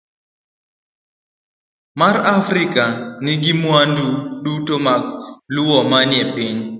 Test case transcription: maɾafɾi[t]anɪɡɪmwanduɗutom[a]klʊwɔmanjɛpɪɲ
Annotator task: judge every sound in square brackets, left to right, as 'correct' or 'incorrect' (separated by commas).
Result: incorrect, correct